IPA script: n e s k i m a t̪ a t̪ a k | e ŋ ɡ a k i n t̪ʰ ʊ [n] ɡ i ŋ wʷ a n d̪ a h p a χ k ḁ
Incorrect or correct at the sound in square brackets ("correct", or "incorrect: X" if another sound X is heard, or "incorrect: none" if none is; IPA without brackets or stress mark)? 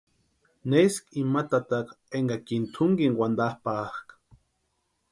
incorrect: ŋ